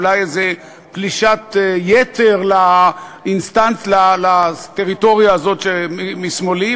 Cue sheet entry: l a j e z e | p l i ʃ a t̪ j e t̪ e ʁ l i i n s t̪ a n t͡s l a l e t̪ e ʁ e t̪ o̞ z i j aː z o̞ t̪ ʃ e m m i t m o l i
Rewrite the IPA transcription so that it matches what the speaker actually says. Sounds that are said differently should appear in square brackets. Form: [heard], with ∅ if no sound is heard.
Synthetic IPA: l a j e z e | p l i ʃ a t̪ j e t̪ e ʁ l [a] i n s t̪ a n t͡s l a l [a] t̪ e ʁ [i] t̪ o̞ [ʁ] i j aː z o̞ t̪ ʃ e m m i [s] m o l i